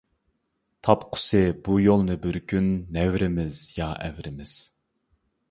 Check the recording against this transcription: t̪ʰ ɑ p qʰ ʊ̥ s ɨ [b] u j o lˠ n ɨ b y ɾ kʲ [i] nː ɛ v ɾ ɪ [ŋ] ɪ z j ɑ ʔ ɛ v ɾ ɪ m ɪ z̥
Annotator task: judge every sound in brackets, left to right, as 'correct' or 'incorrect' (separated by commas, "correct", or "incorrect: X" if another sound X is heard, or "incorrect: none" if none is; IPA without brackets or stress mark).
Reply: correct, incorrect: y, incorrect: m